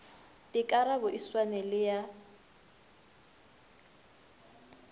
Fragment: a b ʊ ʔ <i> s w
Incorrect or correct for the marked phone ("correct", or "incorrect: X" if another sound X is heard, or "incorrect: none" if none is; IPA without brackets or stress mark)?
correct